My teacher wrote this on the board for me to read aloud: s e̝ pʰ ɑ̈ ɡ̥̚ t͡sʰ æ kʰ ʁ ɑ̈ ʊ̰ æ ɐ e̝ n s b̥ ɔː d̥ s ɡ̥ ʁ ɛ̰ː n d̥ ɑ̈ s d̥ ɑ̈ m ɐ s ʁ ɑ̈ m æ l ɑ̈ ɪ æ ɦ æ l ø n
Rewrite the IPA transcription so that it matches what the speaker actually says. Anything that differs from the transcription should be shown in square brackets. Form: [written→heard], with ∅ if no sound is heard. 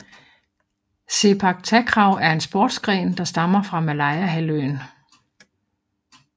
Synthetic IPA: s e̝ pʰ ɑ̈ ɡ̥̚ t͡sʰ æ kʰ ʁ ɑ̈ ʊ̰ æ ɐ e̝ n s b̥ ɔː d̥ s ɡ̥ ʁ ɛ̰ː n d̥ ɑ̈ s d̥ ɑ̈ m ɐ [s→f] ʁ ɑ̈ m æ l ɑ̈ ɪ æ ɦ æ l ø n